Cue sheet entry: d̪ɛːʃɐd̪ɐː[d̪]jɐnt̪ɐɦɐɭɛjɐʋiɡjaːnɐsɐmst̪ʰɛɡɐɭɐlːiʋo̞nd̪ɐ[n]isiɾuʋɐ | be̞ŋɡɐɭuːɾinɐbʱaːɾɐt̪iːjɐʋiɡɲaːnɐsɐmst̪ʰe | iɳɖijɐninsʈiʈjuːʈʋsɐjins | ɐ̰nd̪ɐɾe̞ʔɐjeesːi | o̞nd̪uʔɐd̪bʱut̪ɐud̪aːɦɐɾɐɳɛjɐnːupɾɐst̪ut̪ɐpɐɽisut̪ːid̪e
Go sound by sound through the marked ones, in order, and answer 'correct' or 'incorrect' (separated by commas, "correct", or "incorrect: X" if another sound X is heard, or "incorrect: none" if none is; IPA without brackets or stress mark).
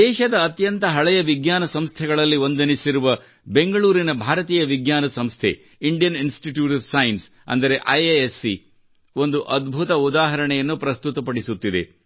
incorrect: t̪, correct